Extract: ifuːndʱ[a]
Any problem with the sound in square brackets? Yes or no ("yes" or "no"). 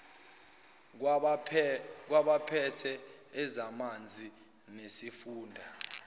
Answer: no